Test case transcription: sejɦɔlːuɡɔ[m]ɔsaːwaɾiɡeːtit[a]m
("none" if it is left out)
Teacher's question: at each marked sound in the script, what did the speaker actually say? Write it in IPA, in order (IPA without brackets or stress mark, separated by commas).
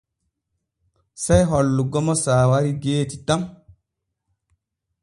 m, a